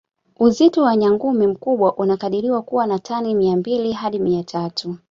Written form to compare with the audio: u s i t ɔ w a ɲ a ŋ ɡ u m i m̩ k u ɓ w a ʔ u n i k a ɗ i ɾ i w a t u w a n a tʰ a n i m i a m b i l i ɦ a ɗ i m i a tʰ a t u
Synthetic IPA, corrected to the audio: u z i t ɔ w a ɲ a ŋ ɡ u m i m̩ k u ɓ w a ʔ u n a k a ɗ i ɾ i w a k u w a n a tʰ a n i m i a m b i l i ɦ a ɗ i m i a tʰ a t u